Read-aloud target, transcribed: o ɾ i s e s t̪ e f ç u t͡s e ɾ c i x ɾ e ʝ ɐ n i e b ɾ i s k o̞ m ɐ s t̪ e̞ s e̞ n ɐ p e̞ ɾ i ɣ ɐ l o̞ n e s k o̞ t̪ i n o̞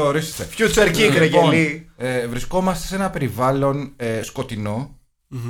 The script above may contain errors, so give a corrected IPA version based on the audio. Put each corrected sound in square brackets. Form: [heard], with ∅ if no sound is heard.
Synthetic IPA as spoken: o ɾ i s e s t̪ e f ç u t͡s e ɾ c i [k] ɾ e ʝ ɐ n i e [v] ɾ i s k o̞ m ɐ s t̪ e̞ s e̞ n ɐ p e̞ ɾ i [v] ɐ l o̞ n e s k o̞ t̪ i n o̞